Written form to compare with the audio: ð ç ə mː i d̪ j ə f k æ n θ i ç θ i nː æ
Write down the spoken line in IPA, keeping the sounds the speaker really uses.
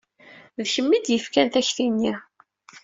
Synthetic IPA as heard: ð ç ə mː i d̪ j ə f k æ n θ æ ç θ i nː i